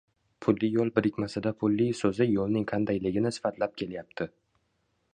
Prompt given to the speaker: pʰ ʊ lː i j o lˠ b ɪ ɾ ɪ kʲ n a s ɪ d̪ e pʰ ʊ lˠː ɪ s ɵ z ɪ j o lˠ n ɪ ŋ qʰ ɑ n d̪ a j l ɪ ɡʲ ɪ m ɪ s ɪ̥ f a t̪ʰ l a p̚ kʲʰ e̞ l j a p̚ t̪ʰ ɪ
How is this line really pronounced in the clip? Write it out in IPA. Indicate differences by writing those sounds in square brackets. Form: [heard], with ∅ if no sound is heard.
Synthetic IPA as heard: pʰ ʊ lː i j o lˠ b ɪ ɾ ɪ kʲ [m] a s ɪ d̪ [a] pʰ ʊ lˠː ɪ s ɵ z ɪ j o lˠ n ɪ ŋ qʰ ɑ n d̪ a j l ɪ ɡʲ ɪ [n] ɪ s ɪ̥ f a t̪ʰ l a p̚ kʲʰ e̞ l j a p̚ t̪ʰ ɪ

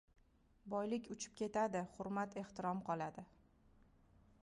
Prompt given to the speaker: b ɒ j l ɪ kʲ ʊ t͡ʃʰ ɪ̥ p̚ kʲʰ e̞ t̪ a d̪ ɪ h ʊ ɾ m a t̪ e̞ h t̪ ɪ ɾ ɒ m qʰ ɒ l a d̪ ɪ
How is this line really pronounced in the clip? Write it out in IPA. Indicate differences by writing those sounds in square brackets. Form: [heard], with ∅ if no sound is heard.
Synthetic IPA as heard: b ɒ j l ɪ kʲ ʊ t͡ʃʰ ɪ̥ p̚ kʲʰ e̞ t̪ a d̪ ɪ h ʊ ɾ m a t̪ e̞ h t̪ ɪ ɾ ɒ m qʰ ɒ l a d̪ ɪ

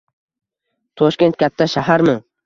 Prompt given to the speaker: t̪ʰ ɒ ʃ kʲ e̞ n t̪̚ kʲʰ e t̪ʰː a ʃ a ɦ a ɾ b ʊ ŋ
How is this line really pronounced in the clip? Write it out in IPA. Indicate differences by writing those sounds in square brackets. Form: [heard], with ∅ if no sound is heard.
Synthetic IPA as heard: t̪ʰ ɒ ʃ kʲ e̞ n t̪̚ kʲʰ [a] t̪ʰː a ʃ a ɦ a ɾ [m] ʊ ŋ

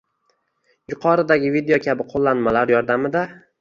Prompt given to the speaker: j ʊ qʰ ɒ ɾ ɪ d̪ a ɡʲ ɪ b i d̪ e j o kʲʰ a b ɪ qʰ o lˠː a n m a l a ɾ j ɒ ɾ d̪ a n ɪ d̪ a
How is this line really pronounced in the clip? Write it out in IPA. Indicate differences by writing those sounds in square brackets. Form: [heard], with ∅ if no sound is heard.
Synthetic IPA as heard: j ʊ qʰ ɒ ɾ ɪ d̪ a ɡʲ ɪ [v] i d̪ e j o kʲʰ a b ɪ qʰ o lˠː a n m a l a ɾ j ɒ ɾ d̪ a [m] ɪ d̪ a

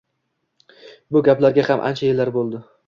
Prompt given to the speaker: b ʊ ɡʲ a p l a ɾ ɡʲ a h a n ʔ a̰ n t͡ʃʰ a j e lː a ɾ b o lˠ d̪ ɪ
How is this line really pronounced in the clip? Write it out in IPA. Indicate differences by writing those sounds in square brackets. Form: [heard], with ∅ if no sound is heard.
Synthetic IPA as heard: b ʊ ɡʲ a p l a ɾ ɡʲ a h a [m] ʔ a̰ n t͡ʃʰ a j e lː a ɾ b o lˠ d̪ ɪ

